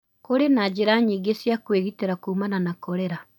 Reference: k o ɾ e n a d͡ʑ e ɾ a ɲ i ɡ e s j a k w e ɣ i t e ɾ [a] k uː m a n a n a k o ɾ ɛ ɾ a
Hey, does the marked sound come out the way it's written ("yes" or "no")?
yes